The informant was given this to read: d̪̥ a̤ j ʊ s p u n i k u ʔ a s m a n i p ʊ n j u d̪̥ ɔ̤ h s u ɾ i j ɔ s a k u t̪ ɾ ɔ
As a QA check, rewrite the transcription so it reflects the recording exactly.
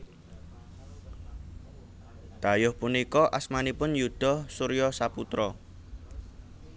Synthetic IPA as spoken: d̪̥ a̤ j ʊ h p u n i k ɔ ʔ a s m a n i p ʊ n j u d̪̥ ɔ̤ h s u ɾ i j ɔ s a p u t̪ ɾ ɔ